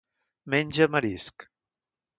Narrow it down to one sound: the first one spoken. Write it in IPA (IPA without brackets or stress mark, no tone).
m